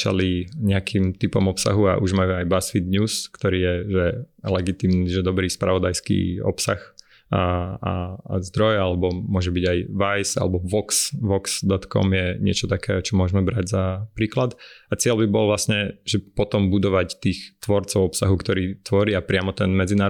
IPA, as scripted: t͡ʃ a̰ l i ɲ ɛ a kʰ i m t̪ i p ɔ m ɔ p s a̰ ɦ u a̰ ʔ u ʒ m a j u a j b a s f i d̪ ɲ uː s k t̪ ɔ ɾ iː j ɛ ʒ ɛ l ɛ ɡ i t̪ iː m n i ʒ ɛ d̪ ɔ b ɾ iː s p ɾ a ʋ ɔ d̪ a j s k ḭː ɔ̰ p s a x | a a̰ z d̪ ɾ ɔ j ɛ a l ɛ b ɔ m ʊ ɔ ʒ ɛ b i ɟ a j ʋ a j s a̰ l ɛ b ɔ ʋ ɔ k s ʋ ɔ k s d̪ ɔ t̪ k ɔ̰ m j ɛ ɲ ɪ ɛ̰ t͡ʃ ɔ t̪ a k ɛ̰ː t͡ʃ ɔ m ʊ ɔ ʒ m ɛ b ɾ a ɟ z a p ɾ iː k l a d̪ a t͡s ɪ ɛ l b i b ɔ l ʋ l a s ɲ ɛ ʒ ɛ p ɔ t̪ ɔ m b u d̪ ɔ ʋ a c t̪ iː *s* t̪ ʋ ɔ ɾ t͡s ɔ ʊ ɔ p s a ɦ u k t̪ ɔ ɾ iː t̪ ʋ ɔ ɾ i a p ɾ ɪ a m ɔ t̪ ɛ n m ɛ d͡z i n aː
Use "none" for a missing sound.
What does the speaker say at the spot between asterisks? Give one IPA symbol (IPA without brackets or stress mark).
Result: x